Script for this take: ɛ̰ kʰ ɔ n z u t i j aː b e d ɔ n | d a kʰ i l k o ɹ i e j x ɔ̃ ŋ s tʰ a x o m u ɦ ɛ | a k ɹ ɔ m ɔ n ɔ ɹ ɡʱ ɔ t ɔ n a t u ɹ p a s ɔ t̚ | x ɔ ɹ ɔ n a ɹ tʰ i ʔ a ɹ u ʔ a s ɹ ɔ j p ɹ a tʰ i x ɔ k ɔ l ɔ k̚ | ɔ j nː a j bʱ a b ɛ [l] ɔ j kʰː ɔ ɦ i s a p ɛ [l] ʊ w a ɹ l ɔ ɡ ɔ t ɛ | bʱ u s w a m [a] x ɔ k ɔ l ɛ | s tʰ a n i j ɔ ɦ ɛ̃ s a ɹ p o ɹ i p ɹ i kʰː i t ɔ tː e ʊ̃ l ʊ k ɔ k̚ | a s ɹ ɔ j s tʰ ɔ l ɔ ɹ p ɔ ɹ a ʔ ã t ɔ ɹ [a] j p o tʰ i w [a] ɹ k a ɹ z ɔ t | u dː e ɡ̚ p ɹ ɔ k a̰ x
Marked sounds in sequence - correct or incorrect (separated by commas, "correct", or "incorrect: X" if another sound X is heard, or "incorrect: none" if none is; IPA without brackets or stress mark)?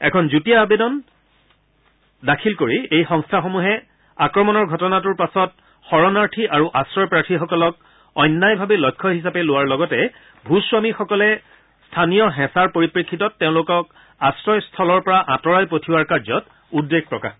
correct, correct, incorrect: i, correct, correct